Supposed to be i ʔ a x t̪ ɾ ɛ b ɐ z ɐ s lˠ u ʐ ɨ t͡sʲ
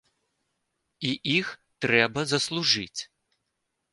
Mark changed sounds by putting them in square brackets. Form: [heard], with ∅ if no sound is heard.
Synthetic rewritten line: i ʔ [i] x t̪ ɾ ɛ b ɐ z ɐ s lˠ u ʐ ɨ t͡sʲ